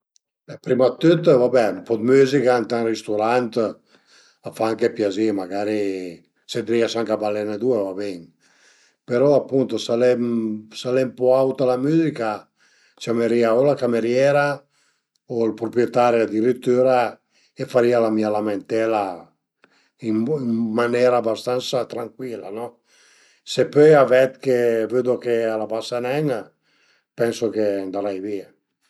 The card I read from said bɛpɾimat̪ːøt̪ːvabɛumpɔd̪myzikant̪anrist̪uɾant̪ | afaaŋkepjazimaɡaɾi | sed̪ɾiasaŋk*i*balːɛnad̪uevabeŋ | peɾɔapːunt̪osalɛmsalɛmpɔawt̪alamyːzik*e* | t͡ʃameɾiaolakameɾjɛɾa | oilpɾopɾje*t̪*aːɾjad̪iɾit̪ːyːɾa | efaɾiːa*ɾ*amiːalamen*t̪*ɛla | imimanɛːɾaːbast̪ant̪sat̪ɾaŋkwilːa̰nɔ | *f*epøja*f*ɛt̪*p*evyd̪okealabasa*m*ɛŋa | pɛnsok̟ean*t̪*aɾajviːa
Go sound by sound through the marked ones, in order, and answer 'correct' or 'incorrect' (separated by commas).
incorrect, incorrect, correct, incorrect, correct, incorrect, incorrect, incorrect, incorrect, incorrect